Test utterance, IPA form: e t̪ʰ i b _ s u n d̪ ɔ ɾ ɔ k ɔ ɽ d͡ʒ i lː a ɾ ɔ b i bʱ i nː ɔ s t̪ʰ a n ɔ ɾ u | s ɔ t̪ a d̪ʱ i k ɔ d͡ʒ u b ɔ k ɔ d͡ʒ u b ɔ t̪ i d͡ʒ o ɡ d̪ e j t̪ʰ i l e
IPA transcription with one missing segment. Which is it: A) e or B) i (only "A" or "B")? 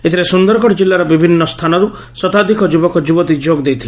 A